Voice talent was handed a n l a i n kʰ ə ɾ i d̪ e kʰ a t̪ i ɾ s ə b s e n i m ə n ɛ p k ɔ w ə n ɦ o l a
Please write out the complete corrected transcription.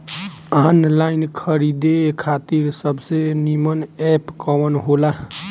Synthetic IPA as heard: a n l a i n kʰ ə ɾ i d̪ e kʰ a t̪ i ɾ s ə b s e n i m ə n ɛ p k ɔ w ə n ɦ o l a